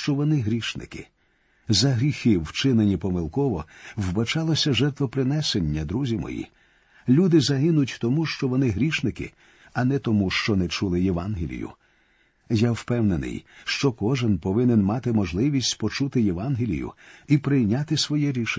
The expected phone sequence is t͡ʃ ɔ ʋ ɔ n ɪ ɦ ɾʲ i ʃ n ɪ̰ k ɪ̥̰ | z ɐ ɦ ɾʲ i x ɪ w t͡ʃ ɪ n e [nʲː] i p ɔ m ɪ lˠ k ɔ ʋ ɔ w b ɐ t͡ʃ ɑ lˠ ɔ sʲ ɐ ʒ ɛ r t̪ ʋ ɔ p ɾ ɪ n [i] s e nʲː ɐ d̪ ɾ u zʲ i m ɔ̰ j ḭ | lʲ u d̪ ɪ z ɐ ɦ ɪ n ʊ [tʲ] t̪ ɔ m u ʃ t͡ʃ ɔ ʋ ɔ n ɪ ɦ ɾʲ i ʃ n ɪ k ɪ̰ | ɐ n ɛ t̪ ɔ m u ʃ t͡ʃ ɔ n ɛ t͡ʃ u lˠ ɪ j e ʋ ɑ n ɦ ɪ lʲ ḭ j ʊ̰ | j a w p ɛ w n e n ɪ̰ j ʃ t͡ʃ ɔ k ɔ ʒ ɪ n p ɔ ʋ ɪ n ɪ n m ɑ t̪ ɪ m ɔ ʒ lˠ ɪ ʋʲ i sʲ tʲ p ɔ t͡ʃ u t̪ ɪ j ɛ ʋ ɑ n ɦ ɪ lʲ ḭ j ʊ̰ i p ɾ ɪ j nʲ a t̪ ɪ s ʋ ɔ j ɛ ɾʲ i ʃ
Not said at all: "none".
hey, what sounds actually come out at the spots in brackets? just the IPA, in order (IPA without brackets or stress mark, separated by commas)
nʲ, ɛ, tʲ